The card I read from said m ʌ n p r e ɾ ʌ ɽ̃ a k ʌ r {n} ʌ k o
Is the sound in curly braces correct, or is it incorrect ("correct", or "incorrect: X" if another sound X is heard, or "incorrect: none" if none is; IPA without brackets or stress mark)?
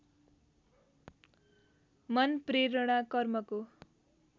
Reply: incorrect: m